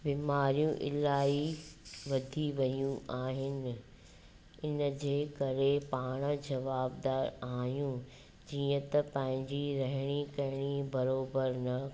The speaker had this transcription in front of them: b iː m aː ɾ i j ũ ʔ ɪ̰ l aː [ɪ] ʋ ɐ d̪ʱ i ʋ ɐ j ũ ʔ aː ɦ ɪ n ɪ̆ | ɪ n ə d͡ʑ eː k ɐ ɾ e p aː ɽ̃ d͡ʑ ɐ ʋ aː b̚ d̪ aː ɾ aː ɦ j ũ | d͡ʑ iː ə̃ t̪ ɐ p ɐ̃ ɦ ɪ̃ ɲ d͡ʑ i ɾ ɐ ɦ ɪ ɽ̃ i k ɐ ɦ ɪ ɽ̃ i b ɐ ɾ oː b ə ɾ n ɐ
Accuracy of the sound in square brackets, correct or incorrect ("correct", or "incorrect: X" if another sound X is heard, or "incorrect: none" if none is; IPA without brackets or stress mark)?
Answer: incorrect: i